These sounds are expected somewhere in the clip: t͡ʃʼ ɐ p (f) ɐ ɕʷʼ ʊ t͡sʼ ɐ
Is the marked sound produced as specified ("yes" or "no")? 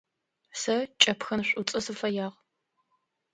no